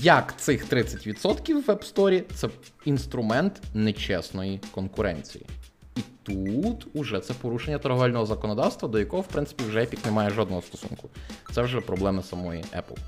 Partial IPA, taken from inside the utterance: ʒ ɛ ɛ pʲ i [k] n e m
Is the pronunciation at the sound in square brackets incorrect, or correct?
correct